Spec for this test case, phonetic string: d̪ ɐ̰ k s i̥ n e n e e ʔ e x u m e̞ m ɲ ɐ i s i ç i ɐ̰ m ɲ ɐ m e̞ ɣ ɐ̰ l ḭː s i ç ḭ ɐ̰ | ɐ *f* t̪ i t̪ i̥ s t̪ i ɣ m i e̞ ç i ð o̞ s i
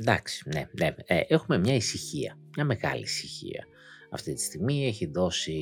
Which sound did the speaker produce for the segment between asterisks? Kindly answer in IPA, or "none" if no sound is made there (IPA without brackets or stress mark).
f